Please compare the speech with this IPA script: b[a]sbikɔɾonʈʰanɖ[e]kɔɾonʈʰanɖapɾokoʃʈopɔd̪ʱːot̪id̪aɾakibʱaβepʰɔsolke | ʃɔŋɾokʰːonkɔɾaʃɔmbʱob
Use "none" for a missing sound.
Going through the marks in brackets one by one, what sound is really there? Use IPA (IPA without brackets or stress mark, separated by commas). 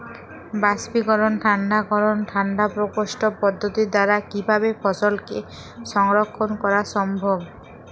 a, a